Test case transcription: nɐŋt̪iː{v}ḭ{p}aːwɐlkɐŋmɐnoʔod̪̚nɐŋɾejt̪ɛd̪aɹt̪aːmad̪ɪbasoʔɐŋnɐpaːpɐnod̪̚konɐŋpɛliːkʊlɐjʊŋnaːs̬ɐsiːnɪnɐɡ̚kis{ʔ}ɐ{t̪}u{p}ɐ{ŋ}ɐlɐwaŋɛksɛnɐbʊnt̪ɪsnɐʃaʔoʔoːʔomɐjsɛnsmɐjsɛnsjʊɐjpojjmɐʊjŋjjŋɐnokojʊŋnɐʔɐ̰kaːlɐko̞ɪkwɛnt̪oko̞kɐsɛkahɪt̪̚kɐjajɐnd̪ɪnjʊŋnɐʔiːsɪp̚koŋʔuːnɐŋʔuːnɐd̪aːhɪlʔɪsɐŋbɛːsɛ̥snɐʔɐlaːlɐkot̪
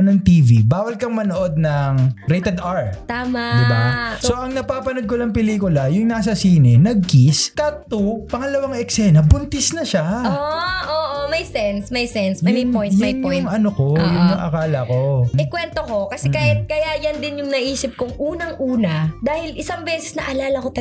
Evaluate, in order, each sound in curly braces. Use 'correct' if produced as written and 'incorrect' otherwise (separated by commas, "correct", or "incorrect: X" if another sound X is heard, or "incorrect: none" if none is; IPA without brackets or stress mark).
correct, incorrect: b, incorrect: k, correct, correct, correct